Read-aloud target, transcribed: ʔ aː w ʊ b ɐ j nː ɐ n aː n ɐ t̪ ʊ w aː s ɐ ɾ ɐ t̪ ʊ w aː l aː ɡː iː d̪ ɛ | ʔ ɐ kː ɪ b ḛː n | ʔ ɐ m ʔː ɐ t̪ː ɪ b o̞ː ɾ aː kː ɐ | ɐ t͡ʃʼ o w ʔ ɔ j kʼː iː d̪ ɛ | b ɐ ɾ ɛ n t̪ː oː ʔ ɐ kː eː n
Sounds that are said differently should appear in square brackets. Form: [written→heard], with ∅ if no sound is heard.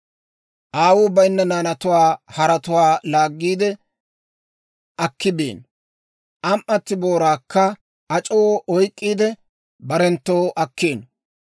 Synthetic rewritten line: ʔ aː w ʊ b ɐ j nː ɐ n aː n ɐ t̪ ʊ w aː [s→h] ɐ ɾ ɐ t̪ ʊ w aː l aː ɡː iː d̪ ɛ | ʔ ɐ kː ɪ b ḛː n | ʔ ɐ m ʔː ɐ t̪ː ɪ b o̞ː ɾ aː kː ɐ | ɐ t͡ʃʼ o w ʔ ɔ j kʼː iː d̪ ɛ | b ɐ ɾ ɛ n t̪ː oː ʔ ɐ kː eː n

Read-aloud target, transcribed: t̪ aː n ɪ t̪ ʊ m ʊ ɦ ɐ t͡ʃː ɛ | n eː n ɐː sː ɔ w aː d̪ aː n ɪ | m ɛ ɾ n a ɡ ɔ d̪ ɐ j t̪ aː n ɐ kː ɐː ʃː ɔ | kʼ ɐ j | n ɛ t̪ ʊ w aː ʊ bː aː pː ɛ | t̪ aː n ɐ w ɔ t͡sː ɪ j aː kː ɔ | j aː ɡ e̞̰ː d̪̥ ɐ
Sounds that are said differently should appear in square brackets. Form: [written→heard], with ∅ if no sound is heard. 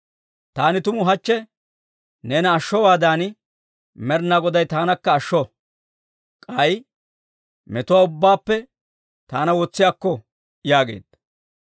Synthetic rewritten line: t̪ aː n ɪ t̪ ʊ m ʊ ɦ ɐ t͡ʃː ɛ | n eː n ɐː [sː→ʃː] ɔ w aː d̪ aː n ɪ | m ɛ ɾ n a ɡ ɔ d̪ ɐ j t̪ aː n ɐ kː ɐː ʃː ɔ | kʼ ɐ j | [n→m] ɛ t̪ ʊ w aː ʊ bː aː pː ɛ | t̪ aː n ɐ w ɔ t͡sː ɪ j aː kː ɔ | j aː ɡ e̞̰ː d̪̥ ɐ

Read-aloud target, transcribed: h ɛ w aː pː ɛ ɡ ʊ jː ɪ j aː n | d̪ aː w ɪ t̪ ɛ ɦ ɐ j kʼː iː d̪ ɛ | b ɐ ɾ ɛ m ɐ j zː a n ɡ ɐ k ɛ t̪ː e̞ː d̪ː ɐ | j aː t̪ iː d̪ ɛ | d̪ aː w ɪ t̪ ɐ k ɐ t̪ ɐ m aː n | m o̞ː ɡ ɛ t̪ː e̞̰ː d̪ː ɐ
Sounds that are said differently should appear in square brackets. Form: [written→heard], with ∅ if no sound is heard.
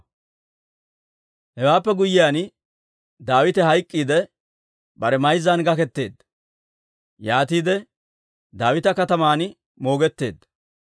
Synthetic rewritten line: h ɛ w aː pː ɛ ɡ ʊ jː ɪ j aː n | d̪ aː w ɪ t̪ ɛ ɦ ɐ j kʼː iː d̪ ɛ | b ɐ ɾ ɛ m ɐ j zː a n ɡ ɐ k ɛ t̪ː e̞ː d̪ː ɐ | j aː t̪ iː d̪ ɛ | d̪ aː w ɪ t̪ ɐ k ɐ t̪ ɐ m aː n | m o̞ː ɡ ɛ t̪ː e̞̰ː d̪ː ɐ

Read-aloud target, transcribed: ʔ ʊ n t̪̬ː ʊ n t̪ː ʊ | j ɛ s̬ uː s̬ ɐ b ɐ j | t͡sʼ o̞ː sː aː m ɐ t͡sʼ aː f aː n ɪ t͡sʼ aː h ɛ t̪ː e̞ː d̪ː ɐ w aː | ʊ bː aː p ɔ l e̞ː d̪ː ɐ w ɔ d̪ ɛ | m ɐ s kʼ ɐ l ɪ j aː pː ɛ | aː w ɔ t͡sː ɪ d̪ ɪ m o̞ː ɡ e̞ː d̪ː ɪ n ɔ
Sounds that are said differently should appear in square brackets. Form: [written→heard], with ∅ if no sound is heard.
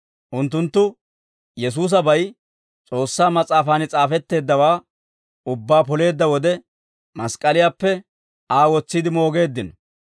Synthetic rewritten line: ʔ ʊ n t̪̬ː ʊ n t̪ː ʊ | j ɛ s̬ uː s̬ ɐ b ɐ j | t͡sʼ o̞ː sː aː m ɐ t͡sʼ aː f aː n ɪ t͡sʼ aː [h→f] ɛ t̪ː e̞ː d̪ː ɐ w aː | ʊ bː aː p ɔ l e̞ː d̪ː ɐ w ɔ d̪ ɛ | m ɐ s kʼ ɐ l ɪ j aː pː ɛ | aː w ɔ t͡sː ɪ d̪ ɪ m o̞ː ɡ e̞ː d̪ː ɪ n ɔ

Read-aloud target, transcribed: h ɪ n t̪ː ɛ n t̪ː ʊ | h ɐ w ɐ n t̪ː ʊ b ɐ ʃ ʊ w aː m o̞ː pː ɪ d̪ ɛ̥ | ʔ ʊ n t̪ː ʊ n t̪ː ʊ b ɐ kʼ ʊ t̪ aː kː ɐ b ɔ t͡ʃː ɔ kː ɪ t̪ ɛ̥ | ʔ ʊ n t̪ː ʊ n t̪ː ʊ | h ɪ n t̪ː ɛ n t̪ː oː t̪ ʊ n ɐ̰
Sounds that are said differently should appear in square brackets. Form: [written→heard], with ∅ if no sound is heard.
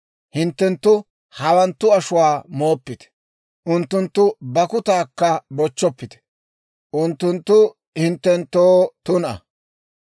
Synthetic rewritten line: h ɪ n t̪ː ɛ n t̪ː ʊ | h ɐ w ɐ n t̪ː ʊ [b→∅] ɐ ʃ ʊ w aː m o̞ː pː ɪ [d̪→t̪] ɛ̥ | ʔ ʊ n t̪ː ʊ n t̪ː ʊ b ɐ [kʼ→k] ʊ t̪ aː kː ɐ b ɔ t͡ʃː ɔ [kː→pː] ɪ t̪ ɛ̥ | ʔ ʊ n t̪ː ʊ n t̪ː ʊ | h ɪ n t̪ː ɛ n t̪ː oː t̪ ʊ n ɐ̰

